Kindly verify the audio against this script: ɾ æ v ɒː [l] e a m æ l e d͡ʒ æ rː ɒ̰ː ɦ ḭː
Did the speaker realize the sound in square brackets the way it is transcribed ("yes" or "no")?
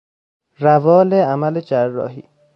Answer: yes